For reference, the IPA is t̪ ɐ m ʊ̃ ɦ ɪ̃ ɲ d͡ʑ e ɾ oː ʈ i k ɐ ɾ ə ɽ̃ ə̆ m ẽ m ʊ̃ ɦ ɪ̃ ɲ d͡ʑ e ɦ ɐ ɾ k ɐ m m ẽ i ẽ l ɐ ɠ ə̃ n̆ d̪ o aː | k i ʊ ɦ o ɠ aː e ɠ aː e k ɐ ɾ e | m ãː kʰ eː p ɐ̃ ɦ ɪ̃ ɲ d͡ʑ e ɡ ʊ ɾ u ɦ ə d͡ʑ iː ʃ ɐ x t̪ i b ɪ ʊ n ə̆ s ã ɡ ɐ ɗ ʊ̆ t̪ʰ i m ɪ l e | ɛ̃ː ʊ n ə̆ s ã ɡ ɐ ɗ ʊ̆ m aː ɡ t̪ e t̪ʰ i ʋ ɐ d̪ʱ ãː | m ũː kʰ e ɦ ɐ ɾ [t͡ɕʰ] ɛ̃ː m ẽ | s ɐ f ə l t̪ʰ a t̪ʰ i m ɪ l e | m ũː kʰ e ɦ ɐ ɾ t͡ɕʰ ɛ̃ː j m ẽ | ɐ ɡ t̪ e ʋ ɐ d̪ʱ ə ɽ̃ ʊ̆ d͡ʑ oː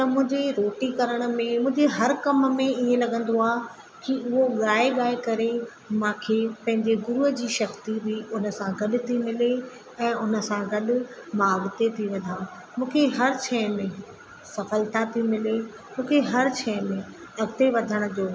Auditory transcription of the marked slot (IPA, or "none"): t͡ɕʰ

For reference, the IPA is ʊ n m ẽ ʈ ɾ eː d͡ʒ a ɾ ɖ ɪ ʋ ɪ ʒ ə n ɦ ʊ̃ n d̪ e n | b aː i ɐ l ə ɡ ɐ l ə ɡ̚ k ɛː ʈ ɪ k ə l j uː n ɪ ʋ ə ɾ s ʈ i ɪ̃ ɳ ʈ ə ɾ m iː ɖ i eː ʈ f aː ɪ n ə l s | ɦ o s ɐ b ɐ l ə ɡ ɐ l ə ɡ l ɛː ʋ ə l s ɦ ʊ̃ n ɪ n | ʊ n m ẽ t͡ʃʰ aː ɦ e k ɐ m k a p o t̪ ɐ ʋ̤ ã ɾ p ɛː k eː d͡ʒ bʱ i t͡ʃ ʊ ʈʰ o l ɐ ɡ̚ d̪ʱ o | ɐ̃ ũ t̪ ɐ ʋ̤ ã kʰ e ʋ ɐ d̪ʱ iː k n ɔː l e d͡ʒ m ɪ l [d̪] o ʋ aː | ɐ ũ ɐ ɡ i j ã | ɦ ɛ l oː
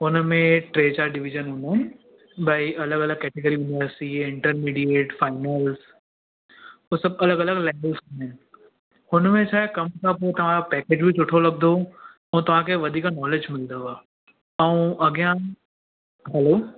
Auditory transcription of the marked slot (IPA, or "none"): d̪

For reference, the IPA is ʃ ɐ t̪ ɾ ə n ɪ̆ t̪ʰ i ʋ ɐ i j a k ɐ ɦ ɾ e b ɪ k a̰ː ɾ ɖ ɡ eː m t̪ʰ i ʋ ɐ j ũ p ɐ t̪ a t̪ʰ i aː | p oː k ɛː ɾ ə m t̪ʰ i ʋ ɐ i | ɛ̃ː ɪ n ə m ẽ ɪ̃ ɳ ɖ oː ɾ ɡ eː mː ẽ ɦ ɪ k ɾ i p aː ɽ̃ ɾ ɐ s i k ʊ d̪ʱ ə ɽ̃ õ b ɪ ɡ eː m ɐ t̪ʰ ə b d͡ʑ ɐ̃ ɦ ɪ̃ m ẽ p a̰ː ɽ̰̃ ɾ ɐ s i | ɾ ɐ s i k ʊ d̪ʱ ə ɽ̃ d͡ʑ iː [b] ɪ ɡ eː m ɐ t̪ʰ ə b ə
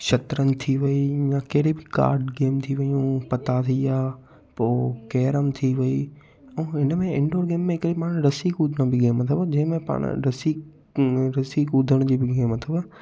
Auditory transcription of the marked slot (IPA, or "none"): b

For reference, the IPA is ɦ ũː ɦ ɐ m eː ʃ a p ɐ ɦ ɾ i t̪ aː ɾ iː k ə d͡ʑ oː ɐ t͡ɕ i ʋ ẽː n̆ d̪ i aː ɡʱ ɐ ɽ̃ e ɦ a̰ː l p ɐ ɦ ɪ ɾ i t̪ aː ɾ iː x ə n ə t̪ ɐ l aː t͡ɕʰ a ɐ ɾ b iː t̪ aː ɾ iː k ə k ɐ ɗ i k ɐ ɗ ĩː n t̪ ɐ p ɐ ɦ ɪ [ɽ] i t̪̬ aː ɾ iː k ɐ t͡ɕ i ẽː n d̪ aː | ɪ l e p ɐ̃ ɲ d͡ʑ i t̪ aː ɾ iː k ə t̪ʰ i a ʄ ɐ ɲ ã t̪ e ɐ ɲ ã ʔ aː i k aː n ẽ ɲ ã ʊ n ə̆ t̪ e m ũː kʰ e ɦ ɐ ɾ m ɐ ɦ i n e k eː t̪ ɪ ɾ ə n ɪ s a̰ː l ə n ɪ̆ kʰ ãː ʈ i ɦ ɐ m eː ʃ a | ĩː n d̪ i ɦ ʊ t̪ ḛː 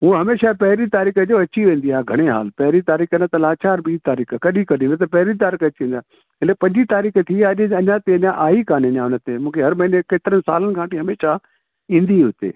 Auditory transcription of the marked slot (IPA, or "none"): ɾ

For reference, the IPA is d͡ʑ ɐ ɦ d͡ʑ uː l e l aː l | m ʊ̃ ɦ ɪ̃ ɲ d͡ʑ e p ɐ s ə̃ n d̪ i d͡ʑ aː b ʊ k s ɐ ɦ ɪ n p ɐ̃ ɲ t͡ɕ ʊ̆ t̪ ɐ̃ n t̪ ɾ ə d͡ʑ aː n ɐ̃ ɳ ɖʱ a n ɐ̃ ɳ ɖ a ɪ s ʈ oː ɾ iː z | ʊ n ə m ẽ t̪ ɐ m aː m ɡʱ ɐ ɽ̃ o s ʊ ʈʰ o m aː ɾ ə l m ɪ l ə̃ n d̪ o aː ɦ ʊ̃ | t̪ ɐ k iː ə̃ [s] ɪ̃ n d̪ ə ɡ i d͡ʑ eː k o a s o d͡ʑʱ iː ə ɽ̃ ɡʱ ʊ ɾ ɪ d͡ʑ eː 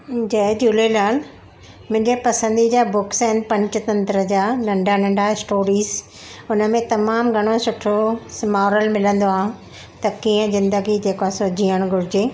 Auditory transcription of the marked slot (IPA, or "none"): z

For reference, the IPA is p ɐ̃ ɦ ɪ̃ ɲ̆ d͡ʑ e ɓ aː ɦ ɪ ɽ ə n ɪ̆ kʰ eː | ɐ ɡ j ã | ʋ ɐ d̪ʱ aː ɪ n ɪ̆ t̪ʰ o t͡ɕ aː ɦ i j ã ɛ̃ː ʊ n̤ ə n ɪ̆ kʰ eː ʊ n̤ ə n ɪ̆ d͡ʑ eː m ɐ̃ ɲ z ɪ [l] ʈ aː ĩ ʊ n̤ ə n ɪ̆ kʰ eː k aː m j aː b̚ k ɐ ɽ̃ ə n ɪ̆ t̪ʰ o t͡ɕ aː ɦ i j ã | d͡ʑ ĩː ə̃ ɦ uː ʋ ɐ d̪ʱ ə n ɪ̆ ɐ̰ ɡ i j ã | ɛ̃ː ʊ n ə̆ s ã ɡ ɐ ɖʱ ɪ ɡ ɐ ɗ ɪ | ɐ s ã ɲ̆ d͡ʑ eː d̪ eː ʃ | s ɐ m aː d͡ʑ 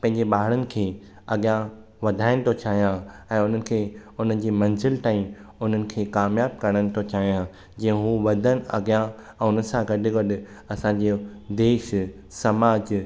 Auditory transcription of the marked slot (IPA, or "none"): l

